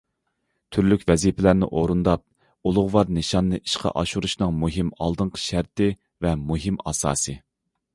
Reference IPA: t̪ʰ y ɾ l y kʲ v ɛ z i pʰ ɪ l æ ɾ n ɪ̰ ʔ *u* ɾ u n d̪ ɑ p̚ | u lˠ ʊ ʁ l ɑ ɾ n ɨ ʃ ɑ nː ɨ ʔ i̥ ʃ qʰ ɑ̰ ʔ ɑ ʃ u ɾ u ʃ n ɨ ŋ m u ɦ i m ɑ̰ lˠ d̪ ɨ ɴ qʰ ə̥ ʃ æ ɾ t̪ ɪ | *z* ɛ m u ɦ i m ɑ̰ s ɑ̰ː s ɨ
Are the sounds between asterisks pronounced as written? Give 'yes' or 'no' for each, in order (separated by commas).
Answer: no, no